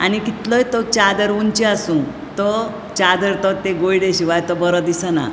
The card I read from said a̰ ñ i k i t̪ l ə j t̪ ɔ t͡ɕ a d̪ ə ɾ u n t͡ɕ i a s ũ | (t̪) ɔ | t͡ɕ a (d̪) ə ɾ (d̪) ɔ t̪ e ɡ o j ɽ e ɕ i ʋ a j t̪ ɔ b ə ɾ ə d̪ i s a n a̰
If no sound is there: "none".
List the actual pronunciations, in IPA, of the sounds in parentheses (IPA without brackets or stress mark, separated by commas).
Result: t̪, d̪, t̪